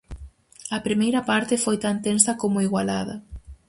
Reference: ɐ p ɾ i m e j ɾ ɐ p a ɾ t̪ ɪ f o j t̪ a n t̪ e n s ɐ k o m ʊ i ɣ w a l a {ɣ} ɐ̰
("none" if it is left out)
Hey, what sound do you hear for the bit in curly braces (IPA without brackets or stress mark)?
ð